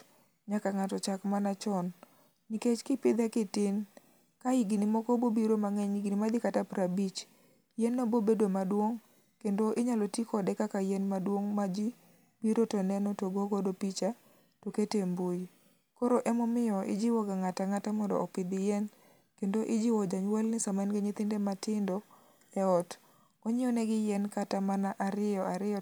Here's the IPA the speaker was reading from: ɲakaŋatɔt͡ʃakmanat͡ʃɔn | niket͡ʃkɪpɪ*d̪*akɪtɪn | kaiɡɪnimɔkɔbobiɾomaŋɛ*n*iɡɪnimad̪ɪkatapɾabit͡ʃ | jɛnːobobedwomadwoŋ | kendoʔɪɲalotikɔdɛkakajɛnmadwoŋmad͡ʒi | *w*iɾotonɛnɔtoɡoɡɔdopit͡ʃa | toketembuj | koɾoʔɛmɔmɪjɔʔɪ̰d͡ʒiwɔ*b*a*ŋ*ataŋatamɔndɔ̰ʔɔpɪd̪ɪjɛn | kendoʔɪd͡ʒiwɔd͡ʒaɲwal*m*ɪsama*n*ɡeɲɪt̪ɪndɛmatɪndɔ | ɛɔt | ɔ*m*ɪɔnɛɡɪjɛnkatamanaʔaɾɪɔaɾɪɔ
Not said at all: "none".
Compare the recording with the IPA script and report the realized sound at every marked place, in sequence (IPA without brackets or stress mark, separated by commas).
d̪, ɲ, b, ɡ, ŋ, n, n, ɲ